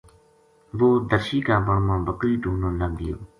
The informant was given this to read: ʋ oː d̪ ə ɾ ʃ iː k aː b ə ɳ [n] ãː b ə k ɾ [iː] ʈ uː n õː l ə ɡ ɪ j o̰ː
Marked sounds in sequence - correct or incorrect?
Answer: incorrect: m, correct

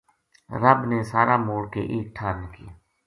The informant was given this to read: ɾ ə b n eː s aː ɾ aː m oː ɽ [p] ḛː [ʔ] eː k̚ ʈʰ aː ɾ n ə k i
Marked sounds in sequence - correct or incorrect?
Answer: incorrect: k, correct

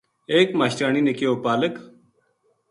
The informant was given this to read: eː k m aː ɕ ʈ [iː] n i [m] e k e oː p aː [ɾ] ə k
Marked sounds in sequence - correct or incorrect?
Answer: incorrect: aː, incorrect: n, incorrect: l

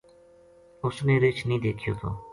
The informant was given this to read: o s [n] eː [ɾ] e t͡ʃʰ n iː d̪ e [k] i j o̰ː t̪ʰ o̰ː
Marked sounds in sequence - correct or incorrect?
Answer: correct, correct, incorrect: kʰ

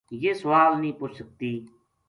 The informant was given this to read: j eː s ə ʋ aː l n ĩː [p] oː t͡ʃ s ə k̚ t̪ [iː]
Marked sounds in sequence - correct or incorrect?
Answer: correct, correct

